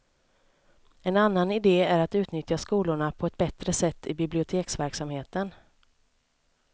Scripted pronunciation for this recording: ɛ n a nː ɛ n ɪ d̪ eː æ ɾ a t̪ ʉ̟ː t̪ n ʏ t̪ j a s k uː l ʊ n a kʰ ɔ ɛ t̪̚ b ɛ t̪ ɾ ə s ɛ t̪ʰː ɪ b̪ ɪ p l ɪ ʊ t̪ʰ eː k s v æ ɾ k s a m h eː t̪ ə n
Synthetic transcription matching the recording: ɛ n a nː a n ɪ d̪ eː æ ɾ a t̪ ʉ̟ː t̪ n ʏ t̪ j a s k uː l ʊ ɳ a pʰ ɔ ɛ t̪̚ b ɛ t̪ ɾ ə s ɛ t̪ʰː ɪ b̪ ɪ b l ɪ ʊ t̪ʰ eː k s v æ ɾ k s a m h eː t̪ ə n